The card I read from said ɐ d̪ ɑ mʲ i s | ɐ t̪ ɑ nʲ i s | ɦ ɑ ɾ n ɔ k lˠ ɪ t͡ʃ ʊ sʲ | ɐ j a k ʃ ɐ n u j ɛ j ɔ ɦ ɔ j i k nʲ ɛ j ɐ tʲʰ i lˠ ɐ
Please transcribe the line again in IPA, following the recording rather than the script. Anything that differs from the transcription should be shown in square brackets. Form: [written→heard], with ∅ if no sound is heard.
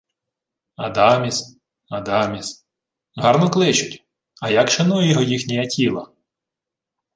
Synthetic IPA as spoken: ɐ d̪ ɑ mʲ i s | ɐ [t̪→d̪] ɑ [nʲ→mʲ] i s | ɦ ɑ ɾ n ɔ k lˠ ɪ t͡ʃ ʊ [sʲ→tʲ] | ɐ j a k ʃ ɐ n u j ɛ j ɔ ɦ ɔ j i [k→x] nʲ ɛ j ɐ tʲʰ i lˠ ɐ